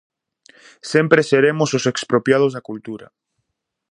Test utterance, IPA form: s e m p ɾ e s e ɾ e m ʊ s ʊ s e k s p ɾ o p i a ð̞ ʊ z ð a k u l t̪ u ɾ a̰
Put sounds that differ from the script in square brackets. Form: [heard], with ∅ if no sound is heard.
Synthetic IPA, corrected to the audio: s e m p ɾ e s e ɾ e m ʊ s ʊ s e k s p ɾ o p [j] a ð̞ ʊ z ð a k u l t̪ u ɾ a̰